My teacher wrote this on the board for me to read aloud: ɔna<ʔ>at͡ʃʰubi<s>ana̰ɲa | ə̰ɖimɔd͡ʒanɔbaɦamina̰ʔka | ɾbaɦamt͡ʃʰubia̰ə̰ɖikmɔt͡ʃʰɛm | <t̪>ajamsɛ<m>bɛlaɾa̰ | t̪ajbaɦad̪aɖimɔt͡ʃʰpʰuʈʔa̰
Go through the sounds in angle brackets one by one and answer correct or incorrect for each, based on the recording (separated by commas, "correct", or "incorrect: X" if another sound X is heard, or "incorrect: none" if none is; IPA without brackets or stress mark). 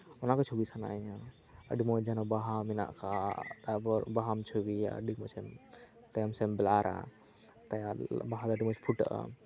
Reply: incorrect: k, correct, correct, correct